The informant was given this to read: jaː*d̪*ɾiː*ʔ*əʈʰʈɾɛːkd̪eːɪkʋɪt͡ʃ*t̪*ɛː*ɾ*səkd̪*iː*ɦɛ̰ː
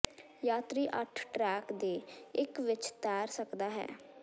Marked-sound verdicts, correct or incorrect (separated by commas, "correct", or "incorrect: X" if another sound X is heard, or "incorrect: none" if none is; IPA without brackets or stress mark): incorrect: t̪, correct, correct, correct, incorrect: aː